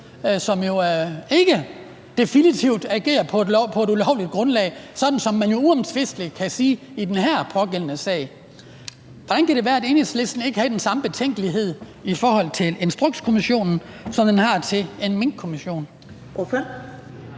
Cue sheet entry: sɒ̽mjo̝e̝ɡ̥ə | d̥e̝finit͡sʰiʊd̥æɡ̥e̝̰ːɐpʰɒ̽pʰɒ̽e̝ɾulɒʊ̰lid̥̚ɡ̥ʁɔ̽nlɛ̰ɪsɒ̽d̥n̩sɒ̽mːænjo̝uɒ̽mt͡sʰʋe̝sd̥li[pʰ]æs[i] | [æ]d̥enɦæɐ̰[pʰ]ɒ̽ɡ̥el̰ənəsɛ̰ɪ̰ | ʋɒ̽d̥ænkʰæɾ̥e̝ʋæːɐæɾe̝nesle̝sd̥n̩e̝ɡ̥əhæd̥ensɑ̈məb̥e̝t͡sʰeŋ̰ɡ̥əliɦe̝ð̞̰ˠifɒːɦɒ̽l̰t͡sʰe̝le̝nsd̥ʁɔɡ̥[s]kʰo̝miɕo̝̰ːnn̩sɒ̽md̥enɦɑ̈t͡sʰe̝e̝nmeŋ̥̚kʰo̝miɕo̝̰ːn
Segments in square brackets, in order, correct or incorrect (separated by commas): incorrect, incorrect, incorrect, correct, correct